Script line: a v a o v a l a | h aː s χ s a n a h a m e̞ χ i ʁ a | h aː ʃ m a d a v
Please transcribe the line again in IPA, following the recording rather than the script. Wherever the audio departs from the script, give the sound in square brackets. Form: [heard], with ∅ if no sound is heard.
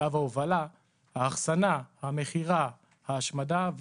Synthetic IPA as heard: a v a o v a l a | h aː [∅] χ s a n a h a m e̞ χ i ʁ a | h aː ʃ m a d a v